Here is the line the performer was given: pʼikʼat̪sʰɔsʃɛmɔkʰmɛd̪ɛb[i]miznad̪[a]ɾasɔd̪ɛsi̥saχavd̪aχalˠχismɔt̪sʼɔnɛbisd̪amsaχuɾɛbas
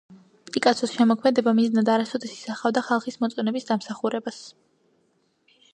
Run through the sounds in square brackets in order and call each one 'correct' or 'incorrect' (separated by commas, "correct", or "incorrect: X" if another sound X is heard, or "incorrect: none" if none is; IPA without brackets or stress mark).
incorrect: a, correct